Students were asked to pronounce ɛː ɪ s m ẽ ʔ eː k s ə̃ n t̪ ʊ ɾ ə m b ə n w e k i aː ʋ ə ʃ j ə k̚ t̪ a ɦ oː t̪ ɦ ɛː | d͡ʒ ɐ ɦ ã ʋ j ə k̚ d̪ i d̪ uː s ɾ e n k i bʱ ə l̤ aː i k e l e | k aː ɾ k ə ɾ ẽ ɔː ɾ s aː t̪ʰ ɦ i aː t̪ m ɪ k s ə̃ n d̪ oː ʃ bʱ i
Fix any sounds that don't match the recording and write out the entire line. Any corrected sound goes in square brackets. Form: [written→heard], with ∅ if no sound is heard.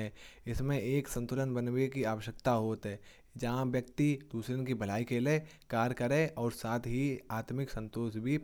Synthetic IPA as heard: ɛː ɪ s m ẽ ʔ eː k s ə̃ n t̪ ʊ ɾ ə [m→n] b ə n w e k i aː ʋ ə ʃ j ə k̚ t̪ a ɦ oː t̪ ɦ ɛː | d͡ʒ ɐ ɦ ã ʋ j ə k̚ [d̪→t̪] i d̪ uː s ɾ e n k i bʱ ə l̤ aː i k e l e | k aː ɾ k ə ɾ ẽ ɔː ɾ s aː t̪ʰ ɦ i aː t̪ m ɪ k s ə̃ n [d̪→t̪] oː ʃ bʱ i